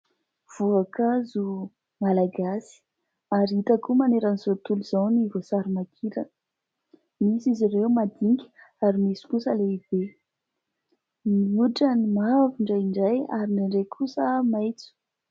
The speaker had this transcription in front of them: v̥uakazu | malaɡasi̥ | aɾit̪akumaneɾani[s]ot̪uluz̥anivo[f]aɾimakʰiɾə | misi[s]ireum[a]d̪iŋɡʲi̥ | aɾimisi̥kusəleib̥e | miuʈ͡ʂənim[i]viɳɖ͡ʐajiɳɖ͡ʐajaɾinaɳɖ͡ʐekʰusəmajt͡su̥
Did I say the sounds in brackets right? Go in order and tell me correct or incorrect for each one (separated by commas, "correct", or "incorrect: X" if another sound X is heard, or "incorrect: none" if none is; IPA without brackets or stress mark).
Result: incorrect: z, incorrect: s, incorrect: z, correct, incorrect: a